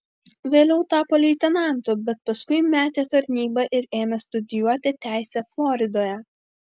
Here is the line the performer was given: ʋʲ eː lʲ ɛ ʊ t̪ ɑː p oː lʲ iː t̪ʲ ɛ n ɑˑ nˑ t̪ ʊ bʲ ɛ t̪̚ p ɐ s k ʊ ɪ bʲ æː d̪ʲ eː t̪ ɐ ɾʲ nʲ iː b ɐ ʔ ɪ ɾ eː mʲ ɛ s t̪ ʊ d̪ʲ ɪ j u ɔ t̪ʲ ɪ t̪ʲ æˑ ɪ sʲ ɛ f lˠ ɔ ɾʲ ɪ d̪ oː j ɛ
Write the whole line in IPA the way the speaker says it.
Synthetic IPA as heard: ʋʲ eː lʲ ɛ ʊ t̪ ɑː p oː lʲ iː t̪ʲ ɛ n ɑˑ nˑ t̪ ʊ bʲ ɛ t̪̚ p ɐ s k ʊ ɪ mʲ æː t̪ʲ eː t̪ ɐ ɾʲ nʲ iː b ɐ ʔ ɪ ɾ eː mʲ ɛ s t̪ ʊ d̪ʲ ɪ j u ɔ t̪ʲ ɪ t̪ʲ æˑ ɪ sʲ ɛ f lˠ ɔ ɾʲ ɪ d̪ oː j ɛ